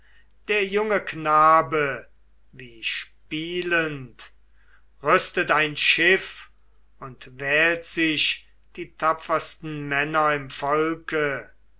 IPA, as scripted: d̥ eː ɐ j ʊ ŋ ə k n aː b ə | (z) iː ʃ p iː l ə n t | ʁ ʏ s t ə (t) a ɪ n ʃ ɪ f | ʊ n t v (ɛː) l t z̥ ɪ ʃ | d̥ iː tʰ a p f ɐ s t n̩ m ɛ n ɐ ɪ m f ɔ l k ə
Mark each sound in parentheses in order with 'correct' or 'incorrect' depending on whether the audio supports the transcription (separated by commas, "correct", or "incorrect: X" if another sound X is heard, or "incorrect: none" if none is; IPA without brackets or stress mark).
incorrect: v, correct, correct